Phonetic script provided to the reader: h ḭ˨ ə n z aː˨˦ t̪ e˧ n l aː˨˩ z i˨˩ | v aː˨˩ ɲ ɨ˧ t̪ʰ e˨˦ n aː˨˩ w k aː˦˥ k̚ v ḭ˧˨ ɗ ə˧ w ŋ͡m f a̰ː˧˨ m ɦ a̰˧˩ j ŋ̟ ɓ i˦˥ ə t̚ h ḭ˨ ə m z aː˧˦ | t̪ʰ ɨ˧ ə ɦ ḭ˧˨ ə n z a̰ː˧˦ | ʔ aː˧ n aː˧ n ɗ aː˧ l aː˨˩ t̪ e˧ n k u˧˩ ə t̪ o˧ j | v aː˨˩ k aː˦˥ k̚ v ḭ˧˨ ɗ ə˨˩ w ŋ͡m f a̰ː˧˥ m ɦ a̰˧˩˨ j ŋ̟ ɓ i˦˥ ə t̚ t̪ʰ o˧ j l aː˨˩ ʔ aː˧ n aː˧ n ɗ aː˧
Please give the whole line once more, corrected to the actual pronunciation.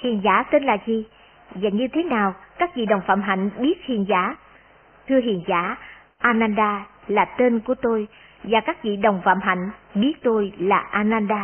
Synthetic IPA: h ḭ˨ ə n z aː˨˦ t̪ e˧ n l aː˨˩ z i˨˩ | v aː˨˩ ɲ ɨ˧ t̪ʰ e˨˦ n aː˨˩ w k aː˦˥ k̚ v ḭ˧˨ ɗ ə˨˩ w ŋ͡m f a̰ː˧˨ m ɦ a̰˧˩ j ŋ̟ ɓ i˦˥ ə t̚ h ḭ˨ ə n z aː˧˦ | t̪ʰ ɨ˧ ə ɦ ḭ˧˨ ə n z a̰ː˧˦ | ʔ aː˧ n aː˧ n ɗ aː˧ l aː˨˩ t̪ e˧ n k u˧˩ ə t̪ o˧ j | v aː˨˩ k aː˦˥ k̚ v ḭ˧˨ ɗ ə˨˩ w ŋ͡m f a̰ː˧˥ m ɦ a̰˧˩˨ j ŋ̟ ɓ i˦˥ ə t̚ t̪ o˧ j l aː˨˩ ʔ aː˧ n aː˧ n ɗ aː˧